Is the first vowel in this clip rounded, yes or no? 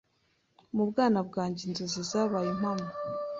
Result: yes